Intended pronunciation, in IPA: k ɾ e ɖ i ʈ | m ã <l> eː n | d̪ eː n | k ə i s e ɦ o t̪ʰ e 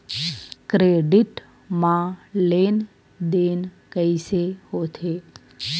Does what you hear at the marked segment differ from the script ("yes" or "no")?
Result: no